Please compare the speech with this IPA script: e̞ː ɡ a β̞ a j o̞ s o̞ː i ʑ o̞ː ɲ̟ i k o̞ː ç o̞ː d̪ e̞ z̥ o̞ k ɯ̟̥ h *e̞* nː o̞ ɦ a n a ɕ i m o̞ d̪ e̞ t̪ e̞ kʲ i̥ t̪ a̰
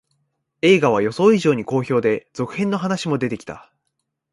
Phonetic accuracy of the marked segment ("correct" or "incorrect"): incorrect